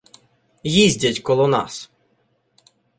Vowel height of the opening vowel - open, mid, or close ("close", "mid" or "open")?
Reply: close